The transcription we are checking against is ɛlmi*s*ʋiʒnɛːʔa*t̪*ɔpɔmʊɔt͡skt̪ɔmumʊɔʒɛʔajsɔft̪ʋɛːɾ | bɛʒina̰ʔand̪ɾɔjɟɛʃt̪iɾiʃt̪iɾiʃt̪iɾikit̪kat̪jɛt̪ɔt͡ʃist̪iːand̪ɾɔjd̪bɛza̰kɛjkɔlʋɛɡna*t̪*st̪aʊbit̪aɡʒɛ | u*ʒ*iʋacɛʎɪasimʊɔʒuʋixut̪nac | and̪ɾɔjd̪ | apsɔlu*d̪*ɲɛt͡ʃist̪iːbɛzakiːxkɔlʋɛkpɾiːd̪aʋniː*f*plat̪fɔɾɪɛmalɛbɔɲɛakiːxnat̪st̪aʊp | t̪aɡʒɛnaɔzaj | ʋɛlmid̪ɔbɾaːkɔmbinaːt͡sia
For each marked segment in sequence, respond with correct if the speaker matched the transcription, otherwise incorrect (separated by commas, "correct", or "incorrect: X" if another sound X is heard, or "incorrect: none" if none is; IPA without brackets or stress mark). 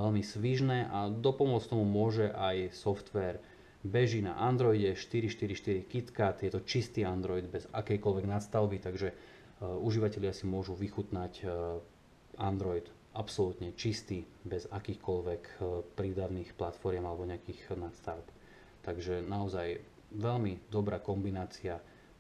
correct, incorrect: d̪, correct, correct, incorrect: t̪, incorrect: x